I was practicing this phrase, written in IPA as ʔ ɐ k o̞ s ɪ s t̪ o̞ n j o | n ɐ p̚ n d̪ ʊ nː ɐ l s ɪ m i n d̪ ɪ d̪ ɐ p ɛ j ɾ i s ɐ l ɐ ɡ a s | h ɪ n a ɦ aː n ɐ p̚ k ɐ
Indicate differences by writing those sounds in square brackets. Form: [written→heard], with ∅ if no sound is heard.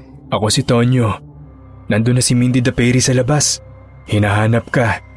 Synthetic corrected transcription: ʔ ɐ k o̞ s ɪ [s→∅] t̪ o̞ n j o | n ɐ [p̚→∅] n d̪ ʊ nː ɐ [l→∅] s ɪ m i n d̪ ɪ d̪ ɐ p ɛ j ɾ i s ɐ l ɐ [ɡ→b] a s | h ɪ n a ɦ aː n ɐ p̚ k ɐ